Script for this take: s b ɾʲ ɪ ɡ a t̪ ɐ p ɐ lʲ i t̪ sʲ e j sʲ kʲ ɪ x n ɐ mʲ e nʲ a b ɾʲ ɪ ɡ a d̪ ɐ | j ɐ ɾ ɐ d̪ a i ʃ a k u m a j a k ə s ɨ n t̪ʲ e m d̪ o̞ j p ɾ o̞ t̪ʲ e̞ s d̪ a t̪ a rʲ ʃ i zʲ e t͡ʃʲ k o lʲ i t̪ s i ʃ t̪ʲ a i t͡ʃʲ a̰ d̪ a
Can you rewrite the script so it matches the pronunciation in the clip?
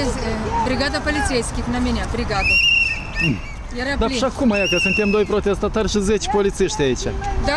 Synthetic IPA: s b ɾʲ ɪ ɡ a d̪ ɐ p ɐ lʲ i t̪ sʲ e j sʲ kʲ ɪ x n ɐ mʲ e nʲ a b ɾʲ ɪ ɡ a d̪ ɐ | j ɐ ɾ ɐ d̪ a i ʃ a k u m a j a k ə s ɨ n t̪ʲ e m d̪ o̞ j p ɾ o̞ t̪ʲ e̞ s t̪ a t̪ a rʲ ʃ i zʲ e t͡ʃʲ p o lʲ i t̪ s i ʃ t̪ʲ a i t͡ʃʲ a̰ d̪ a